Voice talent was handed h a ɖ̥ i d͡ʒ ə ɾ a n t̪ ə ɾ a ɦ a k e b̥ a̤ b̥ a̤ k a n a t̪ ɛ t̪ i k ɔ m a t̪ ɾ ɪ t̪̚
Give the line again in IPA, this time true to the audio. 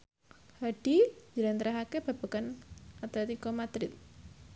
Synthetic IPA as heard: h a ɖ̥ i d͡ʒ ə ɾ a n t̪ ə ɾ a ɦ a k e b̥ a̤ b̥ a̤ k a n a t̪ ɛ t̪ i k ɔ m a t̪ ɾ ɪ t̪̚